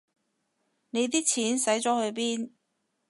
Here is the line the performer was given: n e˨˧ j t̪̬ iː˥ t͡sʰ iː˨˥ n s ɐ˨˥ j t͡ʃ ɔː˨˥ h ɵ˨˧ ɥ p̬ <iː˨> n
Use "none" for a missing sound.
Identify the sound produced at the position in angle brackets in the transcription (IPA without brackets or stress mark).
iː˥